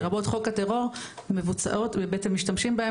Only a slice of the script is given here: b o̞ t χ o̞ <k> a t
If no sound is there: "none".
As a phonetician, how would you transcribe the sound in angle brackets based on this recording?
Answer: k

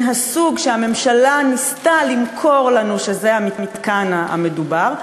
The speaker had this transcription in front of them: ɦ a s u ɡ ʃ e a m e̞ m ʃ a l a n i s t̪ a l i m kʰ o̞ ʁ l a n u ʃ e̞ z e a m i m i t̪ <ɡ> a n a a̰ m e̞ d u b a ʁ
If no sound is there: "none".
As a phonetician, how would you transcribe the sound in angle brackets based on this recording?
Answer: k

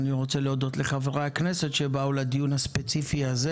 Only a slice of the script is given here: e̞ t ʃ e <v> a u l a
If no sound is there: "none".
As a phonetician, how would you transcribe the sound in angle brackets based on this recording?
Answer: b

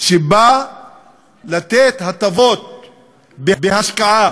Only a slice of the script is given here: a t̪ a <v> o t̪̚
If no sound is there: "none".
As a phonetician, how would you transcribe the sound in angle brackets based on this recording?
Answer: v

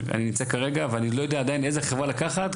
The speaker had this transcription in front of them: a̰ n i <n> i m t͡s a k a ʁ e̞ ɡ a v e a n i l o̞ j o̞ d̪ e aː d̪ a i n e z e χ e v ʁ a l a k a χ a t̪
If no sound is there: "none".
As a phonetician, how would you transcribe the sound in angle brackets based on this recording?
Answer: n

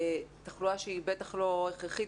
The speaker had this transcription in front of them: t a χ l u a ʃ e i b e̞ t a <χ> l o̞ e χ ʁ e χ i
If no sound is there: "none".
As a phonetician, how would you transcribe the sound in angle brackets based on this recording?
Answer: χ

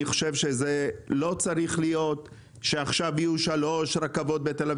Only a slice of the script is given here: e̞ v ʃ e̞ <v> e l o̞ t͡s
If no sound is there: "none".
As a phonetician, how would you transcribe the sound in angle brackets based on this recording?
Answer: z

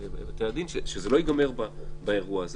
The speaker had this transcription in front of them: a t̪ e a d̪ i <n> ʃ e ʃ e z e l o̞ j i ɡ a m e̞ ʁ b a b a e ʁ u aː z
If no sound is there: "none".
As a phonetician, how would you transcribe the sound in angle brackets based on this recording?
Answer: n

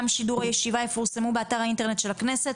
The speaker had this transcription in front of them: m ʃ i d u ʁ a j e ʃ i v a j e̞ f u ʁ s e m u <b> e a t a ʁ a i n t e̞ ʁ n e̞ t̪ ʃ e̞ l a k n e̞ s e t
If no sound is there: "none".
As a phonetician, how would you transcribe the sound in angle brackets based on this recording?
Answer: b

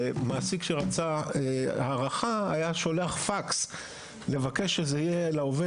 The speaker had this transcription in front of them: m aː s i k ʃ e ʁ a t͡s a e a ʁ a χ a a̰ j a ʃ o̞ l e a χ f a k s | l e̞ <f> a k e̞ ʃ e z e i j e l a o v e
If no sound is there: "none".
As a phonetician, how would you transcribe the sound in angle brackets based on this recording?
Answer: v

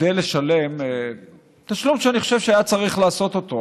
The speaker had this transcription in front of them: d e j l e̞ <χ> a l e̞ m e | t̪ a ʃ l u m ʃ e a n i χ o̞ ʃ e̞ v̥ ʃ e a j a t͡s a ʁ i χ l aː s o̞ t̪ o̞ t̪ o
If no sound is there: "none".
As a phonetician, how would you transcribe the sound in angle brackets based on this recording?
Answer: ʃ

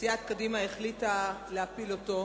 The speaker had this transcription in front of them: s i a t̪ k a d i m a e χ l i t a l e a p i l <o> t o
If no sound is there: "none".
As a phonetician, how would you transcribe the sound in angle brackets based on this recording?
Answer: o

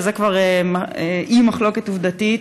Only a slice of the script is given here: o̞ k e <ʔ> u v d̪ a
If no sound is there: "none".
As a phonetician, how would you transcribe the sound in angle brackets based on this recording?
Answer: t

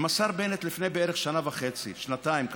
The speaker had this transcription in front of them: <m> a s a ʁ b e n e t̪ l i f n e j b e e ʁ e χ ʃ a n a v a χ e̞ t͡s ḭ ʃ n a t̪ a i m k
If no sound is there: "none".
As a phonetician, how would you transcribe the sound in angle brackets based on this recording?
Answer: m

